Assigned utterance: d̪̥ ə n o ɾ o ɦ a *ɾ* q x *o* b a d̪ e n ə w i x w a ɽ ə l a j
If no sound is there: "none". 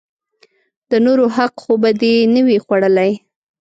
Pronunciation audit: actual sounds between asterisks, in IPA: none, o

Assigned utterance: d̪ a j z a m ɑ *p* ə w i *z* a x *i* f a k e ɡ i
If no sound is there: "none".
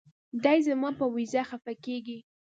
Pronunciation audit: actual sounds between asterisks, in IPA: p, z, a

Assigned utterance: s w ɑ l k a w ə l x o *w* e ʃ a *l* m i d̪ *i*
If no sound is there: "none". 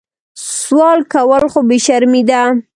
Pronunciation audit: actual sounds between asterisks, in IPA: b, ɾ, a

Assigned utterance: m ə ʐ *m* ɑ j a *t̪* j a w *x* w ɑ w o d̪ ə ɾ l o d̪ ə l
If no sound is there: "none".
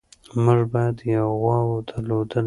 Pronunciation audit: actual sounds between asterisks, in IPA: b, d̪, ɣ

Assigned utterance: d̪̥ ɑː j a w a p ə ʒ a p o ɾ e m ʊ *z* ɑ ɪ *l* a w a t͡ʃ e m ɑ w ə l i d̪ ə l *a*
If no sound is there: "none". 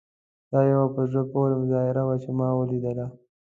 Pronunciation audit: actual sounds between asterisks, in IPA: z, ɾ, a

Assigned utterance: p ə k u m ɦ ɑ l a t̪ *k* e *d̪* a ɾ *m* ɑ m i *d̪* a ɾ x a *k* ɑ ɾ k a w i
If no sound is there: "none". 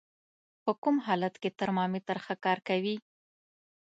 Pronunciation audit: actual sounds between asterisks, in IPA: k, t̪, m, t̪, k

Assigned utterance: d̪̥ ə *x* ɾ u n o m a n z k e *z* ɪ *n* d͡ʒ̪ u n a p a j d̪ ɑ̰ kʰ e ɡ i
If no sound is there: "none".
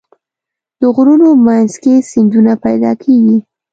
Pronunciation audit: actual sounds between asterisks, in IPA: ɣ, s, n

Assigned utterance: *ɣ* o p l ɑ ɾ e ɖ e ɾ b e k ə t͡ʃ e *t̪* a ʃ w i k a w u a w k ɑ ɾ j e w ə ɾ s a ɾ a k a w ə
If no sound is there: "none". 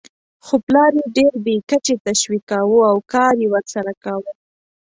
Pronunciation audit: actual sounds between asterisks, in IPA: x, t̪

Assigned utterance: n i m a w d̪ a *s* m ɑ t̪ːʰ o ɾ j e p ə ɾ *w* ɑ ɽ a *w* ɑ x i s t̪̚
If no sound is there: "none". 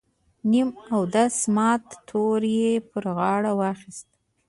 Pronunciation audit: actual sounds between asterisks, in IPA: s, ɣ, w

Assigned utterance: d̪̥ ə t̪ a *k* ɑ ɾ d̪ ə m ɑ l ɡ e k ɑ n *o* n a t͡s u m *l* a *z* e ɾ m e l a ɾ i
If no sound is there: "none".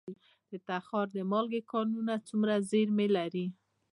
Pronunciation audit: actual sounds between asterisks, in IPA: x, u, ɾ, z

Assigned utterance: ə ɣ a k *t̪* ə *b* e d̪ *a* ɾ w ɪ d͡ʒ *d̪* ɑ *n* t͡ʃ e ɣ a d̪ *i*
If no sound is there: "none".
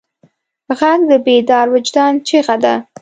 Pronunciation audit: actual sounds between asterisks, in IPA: d̪, b, ɑ, d̪, n, a

